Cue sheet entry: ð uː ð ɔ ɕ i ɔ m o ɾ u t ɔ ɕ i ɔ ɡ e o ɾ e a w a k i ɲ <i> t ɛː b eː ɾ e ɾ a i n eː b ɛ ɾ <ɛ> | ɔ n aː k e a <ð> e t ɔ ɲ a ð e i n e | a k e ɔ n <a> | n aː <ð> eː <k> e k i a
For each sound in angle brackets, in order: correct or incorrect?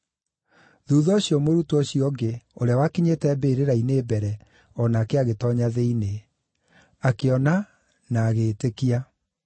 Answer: incorrect: e, correct, incorrect: ɣ, correct, incorrect: ɣ, incorrect: t

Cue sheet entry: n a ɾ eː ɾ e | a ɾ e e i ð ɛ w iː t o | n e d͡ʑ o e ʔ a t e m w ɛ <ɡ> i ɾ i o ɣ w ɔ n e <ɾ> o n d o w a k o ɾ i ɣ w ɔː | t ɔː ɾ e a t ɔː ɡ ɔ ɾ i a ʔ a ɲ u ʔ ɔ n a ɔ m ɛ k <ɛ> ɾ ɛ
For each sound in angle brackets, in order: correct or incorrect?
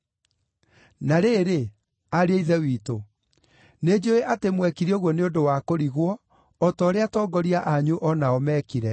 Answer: incorrect: k, incorrect: none, incorrect: i

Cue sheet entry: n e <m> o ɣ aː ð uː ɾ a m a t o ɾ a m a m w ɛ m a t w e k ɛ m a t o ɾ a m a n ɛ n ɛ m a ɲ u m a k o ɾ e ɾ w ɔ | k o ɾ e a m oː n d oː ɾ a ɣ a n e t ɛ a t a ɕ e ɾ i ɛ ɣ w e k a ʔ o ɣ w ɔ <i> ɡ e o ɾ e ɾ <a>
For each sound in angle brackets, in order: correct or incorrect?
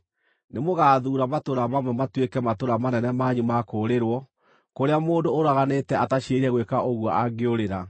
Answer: correct, incorrect: a, correct

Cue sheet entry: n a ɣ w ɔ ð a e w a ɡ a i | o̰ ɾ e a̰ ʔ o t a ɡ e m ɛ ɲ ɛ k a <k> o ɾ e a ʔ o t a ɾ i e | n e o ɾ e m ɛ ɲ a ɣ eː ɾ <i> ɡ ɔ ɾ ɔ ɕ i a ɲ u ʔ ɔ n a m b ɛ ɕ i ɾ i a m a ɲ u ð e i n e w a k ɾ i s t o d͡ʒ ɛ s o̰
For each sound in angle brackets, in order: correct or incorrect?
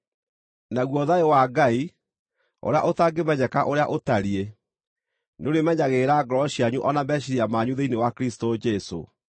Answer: incorrect: ʔ, incorrect: a

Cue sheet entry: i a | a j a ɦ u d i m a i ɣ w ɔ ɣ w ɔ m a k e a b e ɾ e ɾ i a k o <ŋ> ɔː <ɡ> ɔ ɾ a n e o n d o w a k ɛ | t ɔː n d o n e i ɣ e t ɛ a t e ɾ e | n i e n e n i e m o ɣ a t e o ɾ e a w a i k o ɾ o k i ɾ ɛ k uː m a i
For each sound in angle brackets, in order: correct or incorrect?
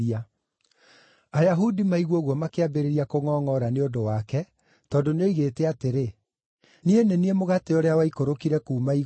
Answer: correct, incorrect: ŋ

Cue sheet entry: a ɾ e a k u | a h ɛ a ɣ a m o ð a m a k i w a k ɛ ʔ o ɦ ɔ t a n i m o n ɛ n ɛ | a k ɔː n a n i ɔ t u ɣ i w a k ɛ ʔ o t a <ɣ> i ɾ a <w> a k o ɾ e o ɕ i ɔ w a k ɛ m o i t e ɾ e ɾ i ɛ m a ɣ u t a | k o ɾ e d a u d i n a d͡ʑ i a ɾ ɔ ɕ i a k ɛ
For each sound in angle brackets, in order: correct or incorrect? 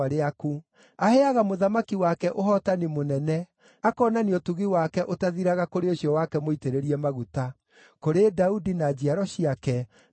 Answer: incorrect: ð, incorrect: ɣ

